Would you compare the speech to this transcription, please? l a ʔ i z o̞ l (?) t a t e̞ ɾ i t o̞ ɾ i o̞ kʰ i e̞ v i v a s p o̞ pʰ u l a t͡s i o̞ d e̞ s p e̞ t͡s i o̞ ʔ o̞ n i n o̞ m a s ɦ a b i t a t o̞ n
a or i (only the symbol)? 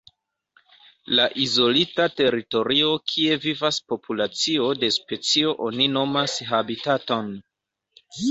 i